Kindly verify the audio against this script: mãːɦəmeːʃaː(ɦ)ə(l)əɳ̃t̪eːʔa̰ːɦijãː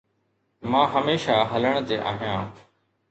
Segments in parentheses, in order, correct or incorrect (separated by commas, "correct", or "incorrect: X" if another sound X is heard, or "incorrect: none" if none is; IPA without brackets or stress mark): correct, correct